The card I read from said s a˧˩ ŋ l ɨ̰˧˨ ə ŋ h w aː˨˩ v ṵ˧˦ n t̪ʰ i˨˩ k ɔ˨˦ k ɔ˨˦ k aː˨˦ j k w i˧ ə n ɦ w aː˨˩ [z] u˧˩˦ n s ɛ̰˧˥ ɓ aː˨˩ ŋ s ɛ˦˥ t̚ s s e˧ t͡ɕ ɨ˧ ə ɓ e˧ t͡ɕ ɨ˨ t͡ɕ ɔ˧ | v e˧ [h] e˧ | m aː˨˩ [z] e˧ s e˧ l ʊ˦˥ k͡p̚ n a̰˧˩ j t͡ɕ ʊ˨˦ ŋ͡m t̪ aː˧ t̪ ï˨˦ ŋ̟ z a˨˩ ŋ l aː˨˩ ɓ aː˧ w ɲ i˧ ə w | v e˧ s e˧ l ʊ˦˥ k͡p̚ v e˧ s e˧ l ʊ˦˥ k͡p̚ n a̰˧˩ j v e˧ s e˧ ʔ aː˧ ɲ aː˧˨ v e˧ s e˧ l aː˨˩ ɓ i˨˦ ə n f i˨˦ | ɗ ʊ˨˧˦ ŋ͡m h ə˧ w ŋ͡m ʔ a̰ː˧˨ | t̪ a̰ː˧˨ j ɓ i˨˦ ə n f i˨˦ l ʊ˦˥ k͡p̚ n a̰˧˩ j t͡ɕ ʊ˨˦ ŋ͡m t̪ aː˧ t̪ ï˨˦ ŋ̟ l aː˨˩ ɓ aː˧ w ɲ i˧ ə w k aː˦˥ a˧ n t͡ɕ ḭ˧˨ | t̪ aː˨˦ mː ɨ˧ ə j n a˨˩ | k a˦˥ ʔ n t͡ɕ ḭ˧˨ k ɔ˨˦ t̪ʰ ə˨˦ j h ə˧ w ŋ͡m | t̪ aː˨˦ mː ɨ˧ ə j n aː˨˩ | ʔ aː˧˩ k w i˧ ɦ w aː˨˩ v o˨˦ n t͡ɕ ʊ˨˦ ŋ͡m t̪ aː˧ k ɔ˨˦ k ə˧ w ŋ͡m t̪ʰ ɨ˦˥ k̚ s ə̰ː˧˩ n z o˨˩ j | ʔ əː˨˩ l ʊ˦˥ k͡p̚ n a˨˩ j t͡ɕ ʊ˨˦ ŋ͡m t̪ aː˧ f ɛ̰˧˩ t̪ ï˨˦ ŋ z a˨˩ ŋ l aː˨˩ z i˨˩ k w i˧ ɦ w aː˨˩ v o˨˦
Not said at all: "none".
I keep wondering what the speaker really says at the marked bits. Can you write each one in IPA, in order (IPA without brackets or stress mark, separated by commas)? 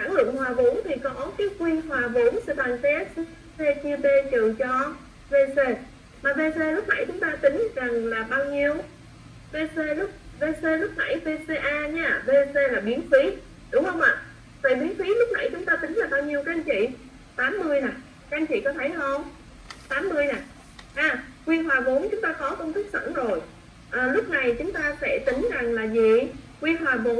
v, s, v